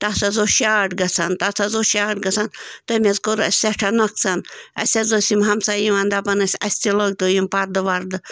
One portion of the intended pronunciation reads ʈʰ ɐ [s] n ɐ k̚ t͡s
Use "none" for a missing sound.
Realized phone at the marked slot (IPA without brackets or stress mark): none